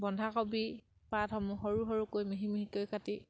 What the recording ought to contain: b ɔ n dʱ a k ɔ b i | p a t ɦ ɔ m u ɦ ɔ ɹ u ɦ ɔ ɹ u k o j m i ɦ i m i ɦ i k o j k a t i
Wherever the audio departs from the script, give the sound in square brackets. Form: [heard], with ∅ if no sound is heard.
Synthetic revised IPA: b ɔ n dʱ a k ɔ b i | p a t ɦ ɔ m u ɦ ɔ ɹ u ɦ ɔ ɹ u k o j m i ɦ i m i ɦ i k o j k a t i